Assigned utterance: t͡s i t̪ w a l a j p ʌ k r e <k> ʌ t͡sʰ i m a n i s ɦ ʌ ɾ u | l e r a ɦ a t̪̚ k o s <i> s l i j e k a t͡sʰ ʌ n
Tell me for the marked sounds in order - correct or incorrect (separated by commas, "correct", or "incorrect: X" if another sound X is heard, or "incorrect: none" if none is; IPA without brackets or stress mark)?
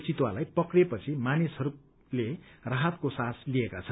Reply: incorrect: p, incorrect: a